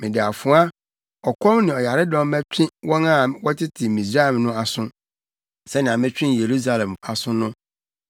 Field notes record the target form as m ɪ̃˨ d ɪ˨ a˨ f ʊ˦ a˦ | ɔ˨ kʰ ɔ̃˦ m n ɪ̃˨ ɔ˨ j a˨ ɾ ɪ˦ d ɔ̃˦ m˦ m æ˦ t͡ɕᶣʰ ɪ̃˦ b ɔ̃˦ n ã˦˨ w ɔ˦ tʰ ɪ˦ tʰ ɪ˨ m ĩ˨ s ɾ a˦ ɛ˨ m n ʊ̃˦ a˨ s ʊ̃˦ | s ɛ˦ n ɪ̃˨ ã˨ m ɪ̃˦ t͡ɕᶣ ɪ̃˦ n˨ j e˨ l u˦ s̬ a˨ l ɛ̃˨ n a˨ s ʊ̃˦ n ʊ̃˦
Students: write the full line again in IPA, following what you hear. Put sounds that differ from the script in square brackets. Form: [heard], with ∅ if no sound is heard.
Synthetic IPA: m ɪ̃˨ d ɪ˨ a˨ f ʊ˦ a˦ | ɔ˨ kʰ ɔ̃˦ m n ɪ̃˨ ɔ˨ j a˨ ɾ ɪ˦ d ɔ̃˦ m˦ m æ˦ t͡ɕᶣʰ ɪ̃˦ [w] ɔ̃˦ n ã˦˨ w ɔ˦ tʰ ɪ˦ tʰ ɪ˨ m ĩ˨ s ɾ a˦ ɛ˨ m n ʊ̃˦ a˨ s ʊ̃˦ | s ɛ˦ n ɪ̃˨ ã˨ m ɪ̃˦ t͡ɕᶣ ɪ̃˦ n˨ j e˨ [ɾ] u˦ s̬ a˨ l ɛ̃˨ [m] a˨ s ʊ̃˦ n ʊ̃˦